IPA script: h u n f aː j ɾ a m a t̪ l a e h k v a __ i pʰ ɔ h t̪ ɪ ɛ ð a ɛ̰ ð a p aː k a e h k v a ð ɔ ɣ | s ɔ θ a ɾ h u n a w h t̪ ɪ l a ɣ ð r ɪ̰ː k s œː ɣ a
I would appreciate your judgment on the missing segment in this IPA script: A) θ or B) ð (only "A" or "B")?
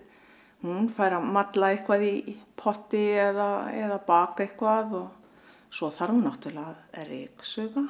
B